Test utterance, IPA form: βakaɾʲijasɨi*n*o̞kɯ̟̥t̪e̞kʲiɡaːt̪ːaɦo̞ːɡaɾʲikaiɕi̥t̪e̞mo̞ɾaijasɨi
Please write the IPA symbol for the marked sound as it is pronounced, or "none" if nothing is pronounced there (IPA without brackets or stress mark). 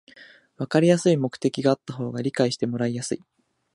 m